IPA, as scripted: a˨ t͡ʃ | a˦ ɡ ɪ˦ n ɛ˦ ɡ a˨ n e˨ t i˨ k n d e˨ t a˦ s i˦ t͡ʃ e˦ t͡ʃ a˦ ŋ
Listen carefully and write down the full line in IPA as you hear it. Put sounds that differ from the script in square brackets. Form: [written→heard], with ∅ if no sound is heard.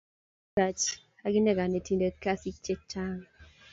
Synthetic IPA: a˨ t͡ʃ | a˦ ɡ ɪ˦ n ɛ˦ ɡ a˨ n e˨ t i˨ [k→∅] n d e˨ [t→k] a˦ s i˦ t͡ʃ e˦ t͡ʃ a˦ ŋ